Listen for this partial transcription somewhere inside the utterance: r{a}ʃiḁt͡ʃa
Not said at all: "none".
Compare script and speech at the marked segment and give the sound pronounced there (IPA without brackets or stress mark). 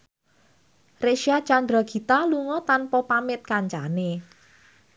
e